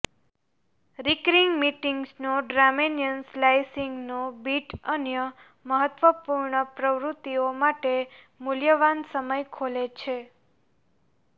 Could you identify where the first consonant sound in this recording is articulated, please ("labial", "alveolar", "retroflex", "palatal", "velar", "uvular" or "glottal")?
alveolar